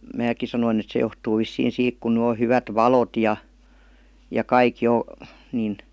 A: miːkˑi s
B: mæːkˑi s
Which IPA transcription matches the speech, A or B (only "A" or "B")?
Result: B